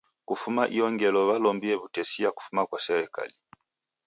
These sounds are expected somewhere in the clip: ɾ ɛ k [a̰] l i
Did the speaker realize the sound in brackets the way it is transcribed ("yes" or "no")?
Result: yes